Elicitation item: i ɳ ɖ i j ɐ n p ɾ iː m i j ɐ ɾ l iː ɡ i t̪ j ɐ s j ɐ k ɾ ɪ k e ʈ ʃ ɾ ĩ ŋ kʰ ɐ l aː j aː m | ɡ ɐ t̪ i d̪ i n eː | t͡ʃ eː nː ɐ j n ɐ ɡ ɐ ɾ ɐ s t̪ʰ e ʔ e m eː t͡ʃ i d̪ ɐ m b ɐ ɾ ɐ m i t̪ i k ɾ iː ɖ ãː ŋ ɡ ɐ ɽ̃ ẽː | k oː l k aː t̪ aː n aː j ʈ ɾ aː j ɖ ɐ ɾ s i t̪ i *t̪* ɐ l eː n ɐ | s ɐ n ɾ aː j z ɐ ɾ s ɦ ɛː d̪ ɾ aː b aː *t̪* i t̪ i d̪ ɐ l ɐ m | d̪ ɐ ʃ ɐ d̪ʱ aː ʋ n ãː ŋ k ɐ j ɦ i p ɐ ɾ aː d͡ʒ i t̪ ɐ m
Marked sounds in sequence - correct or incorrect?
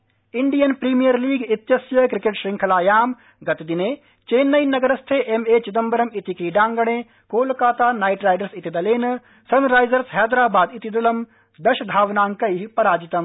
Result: incorrect, incorrect

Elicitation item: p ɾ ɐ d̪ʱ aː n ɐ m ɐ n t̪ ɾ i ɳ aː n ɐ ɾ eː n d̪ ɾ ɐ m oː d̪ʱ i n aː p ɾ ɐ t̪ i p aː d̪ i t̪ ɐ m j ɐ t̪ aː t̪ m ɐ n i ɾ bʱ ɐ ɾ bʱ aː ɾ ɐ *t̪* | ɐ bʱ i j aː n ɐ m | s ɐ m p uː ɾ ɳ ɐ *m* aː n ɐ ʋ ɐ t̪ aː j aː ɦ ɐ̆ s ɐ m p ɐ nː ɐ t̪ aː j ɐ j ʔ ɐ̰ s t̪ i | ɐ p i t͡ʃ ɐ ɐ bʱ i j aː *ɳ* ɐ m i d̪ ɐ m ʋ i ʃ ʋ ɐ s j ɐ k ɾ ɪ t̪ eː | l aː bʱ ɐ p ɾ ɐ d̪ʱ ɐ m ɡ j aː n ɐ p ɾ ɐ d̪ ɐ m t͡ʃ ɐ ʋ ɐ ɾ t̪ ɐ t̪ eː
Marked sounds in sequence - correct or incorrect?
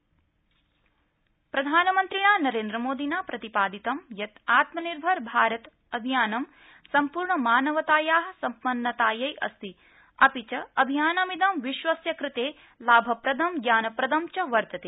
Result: correct, correct, incorrect

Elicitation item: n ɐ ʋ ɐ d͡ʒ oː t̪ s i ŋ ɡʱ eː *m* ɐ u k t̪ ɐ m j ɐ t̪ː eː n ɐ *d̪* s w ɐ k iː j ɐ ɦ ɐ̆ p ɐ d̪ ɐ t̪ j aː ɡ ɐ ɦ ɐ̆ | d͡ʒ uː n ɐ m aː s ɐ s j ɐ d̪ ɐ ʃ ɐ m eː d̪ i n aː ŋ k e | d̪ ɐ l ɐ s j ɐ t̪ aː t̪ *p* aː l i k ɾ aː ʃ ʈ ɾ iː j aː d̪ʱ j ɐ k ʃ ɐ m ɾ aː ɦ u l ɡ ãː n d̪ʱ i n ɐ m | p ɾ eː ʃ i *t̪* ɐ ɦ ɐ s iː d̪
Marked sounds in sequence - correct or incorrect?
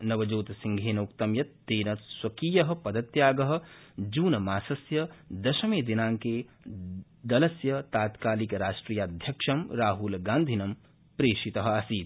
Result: incorrect, incorrect, incorrect, correct

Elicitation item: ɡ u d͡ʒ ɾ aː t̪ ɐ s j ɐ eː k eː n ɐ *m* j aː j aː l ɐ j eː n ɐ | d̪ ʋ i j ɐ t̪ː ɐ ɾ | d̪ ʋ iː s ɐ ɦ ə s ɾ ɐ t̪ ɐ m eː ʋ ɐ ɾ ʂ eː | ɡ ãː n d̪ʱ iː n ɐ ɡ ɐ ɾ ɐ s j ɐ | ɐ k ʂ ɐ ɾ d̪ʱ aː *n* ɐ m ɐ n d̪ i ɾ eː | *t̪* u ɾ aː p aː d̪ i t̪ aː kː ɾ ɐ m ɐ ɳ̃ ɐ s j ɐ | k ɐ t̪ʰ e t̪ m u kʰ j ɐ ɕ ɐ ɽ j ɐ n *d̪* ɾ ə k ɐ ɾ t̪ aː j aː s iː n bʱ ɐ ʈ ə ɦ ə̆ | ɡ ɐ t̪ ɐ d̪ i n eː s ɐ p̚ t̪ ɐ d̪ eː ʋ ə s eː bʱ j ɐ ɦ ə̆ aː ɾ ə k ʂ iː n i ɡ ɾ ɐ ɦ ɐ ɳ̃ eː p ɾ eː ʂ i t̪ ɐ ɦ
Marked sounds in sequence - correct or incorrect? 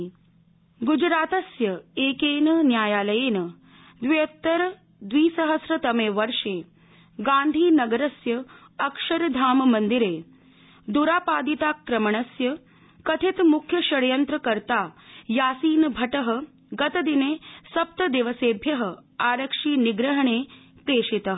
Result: incorrect, incorrect, incorrect, incorrect

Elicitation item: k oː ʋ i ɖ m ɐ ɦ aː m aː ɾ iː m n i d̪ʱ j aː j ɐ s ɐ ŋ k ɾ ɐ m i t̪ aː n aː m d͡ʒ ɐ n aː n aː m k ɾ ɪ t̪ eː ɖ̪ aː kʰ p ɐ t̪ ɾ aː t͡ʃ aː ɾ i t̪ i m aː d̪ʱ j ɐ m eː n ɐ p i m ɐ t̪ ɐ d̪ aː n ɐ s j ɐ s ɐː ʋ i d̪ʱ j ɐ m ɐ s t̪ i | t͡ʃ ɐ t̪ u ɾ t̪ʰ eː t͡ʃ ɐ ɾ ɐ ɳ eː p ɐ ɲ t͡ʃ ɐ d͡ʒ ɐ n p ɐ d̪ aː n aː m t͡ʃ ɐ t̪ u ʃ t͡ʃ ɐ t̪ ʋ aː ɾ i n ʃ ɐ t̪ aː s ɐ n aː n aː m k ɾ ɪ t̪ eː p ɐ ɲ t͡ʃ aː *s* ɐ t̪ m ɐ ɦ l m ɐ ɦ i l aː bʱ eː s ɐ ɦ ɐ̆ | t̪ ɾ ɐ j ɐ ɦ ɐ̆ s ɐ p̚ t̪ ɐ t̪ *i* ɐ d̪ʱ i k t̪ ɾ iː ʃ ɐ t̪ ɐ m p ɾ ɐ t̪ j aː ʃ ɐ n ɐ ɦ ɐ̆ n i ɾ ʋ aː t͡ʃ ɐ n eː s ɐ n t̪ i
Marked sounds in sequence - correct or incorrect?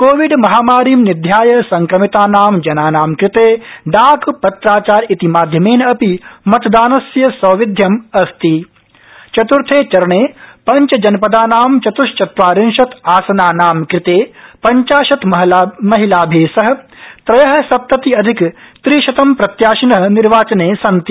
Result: incorrect, correct

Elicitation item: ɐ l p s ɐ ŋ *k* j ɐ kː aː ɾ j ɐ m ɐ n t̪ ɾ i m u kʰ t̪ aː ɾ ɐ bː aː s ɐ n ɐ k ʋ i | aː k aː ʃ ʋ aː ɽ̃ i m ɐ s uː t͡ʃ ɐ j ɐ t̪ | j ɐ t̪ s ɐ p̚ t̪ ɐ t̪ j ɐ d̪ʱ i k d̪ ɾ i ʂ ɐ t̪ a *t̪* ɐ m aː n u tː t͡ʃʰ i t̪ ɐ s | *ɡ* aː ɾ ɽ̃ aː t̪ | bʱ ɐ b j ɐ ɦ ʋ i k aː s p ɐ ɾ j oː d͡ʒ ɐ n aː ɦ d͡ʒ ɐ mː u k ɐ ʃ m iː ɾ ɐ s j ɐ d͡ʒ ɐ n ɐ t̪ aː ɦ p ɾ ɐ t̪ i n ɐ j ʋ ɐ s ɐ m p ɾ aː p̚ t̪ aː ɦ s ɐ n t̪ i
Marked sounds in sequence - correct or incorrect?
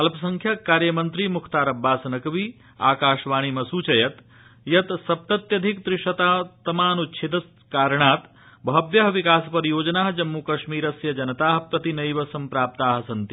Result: incorrect, correct, incorrect

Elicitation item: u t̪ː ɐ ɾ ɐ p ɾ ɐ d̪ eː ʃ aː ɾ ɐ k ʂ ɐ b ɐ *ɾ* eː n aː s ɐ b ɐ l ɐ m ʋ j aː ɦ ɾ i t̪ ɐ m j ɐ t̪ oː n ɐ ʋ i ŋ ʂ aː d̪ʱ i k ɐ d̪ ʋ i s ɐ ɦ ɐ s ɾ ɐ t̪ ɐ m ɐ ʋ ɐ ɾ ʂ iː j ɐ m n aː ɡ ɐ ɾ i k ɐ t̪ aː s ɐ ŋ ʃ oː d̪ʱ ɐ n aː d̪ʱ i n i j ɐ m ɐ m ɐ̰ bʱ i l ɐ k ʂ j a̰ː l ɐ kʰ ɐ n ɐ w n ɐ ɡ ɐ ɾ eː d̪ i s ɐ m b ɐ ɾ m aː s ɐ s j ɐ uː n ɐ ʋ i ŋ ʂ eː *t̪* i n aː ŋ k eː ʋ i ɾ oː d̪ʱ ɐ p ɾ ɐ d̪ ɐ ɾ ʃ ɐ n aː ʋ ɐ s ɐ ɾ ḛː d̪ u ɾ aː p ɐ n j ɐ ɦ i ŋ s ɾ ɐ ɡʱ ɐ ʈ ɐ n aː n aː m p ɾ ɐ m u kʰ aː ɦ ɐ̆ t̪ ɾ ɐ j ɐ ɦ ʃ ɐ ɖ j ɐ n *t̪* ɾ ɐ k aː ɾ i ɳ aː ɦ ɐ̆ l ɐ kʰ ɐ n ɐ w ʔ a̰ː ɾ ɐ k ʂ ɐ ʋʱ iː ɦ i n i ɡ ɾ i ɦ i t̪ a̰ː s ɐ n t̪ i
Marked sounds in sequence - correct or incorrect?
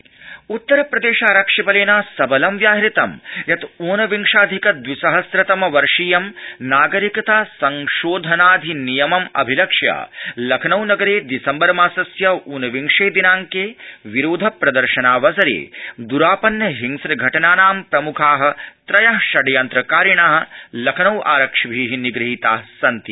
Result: incorrect, incorrect, correct

